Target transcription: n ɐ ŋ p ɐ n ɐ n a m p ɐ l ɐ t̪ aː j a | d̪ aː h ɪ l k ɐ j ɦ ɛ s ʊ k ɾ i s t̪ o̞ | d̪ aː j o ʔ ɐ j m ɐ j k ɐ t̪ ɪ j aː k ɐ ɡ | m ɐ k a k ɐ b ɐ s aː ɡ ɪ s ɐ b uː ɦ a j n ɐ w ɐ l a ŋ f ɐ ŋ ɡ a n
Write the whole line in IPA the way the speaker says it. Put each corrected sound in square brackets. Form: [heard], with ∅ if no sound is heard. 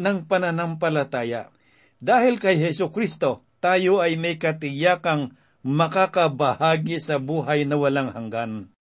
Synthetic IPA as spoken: n ɐ ŋ p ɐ n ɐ n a m p ɐ l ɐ t̪ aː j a | d̪ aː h ɪ l k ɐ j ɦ ɛ s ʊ k ɾ i s t̪ o̞ | [t̪] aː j o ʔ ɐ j m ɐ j k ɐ t̪ ɪ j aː k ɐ [ŋ] | m ɐ k a k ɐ b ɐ [h] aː ɡ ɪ s ɐ b uː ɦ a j n ɐ w ɐ l a ŋ [h] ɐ ŋ ɡ a n